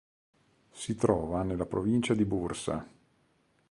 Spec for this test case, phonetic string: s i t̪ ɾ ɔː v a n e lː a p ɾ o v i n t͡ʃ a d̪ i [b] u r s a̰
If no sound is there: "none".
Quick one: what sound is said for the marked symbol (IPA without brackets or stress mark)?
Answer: b